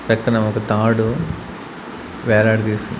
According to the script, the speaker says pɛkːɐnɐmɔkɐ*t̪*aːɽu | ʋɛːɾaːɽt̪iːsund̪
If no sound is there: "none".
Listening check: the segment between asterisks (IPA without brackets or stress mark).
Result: t̪